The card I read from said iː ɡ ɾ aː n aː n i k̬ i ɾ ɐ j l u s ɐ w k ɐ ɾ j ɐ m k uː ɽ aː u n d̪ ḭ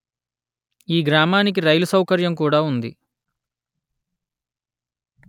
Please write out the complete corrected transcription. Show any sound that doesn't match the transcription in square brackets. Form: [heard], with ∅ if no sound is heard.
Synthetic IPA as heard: iː ɡ ɾ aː [m] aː n i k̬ i ɾ ɐ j l u s ɐ w k ɐ ɾ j ɐ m k uː ɽ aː u n d̪ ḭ